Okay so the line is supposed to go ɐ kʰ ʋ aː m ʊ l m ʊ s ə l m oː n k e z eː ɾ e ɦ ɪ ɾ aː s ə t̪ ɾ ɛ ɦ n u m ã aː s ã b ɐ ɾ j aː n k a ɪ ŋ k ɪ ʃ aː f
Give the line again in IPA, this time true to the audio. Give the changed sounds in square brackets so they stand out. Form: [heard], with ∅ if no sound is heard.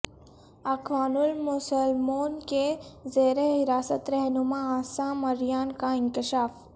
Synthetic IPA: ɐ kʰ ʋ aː [n] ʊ l m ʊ s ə l m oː n k e z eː ɾ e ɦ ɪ ɾ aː s ə t̪ ɾ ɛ ɦ n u m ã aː s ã [m] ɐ ɾ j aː n k a ɪ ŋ k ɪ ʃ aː f